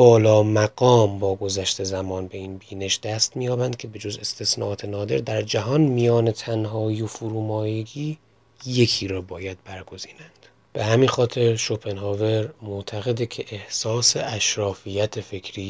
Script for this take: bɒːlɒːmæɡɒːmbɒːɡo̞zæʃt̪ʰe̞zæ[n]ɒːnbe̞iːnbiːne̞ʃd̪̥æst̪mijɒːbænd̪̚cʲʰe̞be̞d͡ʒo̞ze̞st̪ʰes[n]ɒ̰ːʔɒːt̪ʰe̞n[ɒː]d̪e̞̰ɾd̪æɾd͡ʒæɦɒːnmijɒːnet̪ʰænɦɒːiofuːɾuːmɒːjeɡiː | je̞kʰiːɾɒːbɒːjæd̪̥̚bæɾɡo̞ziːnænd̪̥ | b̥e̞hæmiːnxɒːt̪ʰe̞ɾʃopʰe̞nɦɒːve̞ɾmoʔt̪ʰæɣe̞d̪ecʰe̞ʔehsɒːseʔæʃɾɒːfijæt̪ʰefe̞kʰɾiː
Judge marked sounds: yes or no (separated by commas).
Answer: no, yes, yes